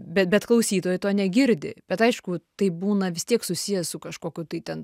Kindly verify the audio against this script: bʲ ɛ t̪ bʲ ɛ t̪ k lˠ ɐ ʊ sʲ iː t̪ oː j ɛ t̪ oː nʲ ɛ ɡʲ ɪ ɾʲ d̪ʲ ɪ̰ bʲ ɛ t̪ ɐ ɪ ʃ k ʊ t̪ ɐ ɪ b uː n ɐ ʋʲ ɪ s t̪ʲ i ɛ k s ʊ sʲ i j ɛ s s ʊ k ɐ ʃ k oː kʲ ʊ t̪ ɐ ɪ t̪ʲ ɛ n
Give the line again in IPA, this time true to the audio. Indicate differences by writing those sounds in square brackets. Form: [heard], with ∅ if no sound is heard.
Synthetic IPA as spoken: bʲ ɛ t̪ bʲ ɛ t̪ k lˠ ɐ ʊ sʲ iː t̪ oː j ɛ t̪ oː nʲ ɛ ɡʲ ɪ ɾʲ d̪ʲ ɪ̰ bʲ ɛ t̪ ɐ ɪ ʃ k ʊ t̪ ɐ ɪ b uː n ɐ ʋʲ ɪ s t̪ʲ i ɛ k s ʊ sʲ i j ɛ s s ʊ k ɐ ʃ k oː kʲ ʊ t̪ ɐ ɪ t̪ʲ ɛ n